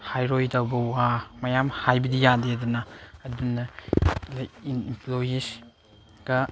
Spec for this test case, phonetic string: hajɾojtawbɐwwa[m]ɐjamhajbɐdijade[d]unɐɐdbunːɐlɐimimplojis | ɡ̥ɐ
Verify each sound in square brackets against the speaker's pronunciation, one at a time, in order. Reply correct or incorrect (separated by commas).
correct, correct